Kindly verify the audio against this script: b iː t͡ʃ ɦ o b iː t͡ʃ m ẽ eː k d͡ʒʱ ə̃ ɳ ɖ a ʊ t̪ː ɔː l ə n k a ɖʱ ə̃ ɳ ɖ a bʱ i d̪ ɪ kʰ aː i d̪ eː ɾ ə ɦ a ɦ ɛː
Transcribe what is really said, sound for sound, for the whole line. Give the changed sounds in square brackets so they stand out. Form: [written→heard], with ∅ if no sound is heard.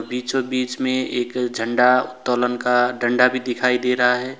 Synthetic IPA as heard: b iː t͡ʃ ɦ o b iː t͡ʃ m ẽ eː k d͡ʒʱ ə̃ ɳ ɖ a ʊ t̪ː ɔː l ə n k a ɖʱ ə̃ ɳ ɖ a bʱ i d̪ ɪ kʰ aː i d̪ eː ɾ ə ɦ a ɦ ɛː